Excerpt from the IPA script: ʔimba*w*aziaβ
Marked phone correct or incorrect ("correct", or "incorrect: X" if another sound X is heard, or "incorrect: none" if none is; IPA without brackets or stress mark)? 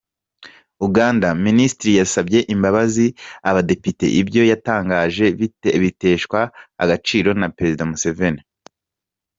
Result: incorrect: β